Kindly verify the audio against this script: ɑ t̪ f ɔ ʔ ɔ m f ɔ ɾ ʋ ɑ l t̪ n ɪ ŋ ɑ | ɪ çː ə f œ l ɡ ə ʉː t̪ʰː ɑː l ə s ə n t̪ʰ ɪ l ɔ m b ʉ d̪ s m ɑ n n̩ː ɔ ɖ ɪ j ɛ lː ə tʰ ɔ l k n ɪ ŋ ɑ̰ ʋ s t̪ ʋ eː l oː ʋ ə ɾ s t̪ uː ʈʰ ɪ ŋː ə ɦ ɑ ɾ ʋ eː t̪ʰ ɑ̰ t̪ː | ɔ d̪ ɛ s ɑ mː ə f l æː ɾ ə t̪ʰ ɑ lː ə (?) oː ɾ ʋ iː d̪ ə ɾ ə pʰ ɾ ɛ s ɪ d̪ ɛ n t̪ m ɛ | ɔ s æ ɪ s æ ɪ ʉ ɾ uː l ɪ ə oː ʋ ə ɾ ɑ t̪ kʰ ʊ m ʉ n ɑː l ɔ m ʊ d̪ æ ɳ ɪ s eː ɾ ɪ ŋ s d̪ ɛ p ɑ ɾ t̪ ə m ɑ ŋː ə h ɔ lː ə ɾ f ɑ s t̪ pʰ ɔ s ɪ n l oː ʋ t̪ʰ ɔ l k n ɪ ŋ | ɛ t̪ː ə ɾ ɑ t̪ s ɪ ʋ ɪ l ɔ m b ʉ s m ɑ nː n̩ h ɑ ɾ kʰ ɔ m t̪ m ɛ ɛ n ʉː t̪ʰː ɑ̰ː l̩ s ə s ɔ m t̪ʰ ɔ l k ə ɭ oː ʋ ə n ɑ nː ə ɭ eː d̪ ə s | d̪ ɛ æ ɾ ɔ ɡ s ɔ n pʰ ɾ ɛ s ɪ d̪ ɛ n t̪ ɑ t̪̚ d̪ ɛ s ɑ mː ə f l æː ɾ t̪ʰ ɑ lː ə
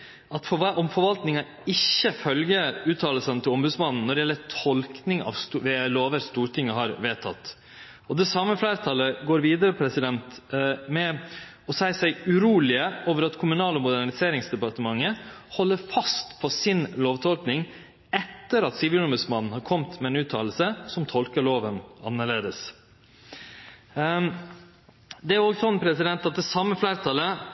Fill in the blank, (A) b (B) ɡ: B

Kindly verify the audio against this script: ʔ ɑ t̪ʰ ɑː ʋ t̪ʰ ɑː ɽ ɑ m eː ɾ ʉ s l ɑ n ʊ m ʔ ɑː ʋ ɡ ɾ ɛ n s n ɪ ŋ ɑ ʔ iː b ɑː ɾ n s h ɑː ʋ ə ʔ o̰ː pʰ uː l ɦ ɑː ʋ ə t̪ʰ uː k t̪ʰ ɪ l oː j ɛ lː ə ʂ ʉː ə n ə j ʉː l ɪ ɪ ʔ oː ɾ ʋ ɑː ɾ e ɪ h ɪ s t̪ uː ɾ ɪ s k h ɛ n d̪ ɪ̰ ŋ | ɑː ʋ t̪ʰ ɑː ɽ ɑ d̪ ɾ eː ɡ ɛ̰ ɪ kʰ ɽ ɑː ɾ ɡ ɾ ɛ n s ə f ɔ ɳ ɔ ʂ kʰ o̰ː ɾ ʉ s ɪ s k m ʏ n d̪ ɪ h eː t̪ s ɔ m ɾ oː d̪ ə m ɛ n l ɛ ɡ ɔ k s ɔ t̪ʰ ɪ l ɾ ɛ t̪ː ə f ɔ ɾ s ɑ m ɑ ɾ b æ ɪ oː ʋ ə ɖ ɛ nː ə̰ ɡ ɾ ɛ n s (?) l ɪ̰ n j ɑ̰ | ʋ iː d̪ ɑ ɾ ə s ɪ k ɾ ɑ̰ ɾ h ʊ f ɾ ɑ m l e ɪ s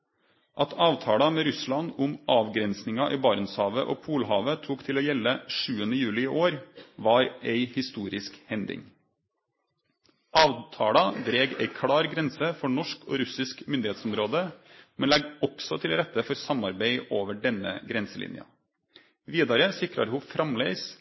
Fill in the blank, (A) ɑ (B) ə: B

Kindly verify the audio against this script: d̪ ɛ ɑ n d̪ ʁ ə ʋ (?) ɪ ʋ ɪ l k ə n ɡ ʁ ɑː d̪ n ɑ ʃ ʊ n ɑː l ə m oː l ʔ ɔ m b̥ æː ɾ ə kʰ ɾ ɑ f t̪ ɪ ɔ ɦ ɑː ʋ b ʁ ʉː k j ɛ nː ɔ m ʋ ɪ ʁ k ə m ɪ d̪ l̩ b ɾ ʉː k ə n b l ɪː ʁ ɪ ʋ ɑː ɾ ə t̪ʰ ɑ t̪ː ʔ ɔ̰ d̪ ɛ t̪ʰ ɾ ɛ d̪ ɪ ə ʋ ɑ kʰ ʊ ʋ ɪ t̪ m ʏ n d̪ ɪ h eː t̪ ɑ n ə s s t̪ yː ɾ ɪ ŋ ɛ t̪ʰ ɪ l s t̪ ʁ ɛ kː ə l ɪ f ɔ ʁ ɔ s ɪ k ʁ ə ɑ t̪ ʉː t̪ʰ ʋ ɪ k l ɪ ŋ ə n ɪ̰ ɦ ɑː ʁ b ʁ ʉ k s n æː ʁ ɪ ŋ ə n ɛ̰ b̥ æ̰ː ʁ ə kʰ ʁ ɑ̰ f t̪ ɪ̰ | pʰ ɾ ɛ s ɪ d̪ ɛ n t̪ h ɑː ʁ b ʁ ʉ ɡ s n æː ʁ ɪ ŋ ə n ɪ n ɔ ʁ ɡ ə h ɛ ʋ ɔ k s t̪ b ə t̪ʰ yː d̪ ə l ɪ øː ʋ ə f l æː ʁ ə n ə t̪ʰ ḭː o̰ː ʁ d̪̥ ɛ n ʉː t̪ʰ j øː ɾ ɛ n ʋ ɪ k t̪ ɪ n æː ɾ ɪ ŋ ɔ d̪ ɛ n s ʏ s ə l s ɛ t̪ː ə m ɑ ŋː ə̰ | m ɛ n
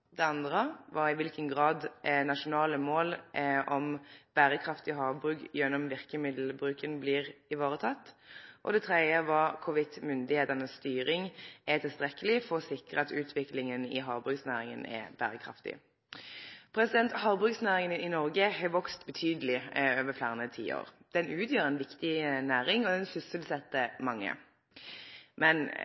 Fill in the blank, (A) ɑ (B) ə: A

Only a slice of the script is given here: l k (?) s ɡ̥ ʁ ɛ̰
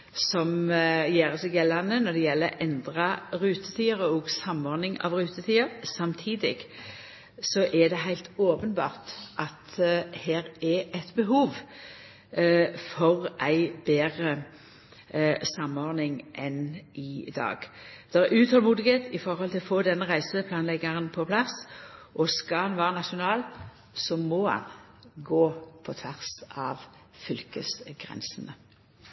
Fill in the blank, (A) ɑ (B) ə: B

